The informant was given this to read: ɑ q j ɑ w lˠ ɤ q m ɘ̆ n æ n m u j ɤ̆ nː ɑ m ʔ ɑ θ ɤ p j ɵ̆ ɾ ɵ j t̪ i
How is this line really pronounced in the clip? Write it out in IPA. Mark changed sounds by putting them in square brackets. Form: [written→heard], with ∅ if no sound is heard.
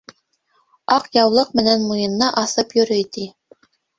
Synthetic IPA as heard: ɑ q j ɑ w lˠ ɤ q m ɘ̆ n æ n m u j ɤ̆ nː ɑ [m→∅] ʔ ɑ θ ɤ p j ɵ̆ ɾ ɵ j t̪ i